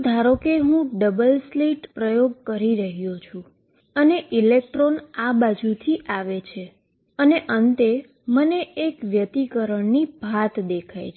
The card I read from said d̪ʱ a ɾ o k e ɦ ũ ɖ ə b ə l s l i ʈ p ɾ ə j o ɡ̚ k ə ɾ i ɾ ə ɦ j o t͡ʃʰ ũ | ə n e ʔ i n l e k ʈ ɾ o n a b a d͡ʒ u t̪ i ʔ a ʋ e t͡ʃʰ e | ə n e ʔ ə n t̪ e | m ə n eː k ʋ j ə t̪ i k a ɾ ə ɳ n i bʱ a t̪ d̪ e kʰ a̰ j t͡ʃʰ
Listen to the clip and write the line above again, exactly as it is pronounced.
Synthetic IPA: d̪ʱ a ɾ o k e ɦ ũ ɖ ə b ə l s l i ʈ p ɾ ə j o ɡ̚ k ə ɾ i ɾ ə ɦ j o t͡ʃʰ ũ | ə n e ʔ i l e k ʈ ɾ o n a b a d͡ʒ u t̪ʰ i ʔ a ʋ e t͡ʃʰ e | ə n e ʔ ə n t̪ e | m ə n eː k ʋ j ə t̪ i k ə ɾ ə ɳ n i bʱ a t̪ d̪ e kʰ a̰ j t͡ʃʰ